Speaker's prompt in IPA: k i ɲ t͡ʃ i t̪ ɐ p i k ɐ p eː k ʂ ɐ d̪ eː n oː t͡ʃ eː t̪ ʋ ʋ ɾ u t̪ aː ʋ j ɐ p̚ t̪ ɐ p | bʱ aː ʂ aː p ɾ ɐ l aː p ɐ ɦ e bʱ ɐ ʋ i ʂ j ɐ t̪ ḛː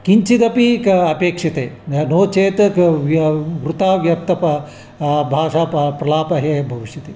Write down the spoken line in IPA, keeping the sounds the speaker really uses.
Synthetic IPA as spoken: k i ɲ t͡ʃ i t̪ ɐ p i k ɐ p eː k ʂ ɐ t̪ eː n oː t͡ʃ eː t̪ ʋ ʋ ɾ u t̪ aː ʋ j ɐ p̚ t̪ ɐ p | bʱ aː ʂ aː p ɾ ɐ l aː p ɐ ɦ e bʱ ɐ ʋ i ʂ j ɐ t̪ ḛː